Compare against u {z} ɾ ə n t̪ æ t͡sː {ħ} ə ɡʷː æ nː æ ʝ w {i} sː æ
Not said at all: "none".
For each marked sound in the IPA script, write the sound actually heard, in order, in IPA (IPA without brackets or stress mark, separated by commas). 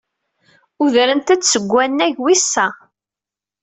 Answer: ð, s, i